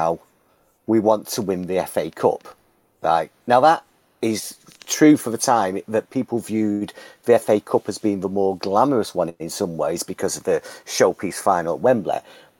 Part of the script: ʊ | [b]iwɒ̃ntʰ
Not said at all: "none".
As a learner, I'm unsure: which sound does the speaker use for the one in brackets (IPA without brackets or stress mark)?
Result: w